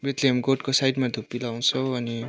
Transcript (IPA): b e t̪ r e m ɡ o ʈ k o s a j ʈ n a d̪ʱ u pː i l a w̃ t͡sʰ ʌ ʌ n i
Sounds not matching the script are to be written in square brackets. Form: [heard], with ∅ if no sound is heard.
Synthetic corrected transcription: b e t̪ [l] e m ɡ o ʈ k o s a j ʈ [m] a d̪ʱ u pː i l a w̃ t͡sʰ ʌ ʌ n i